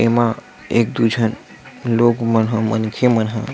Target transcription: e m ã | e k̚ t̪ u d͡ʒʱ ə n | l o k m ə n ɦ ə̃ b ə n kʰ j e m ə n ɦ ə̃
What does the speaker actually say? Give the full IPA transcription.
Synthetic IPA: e m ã | e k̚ d̪ u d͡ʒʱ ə n | l o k m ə n ɦ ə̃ m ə n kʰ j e m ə n ɦ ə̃